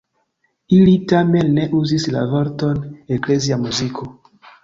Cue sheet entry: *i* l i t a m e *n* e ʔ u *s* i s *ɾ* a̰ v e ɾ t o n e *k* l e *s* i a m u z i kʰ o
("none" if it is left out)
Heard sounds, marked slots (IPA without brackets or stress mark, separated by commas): i, nː, z, l, k, z